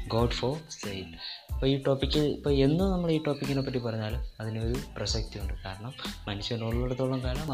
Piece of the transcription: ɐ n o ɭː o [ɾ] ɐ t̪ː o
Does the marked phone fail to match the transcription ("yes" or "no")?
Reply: yes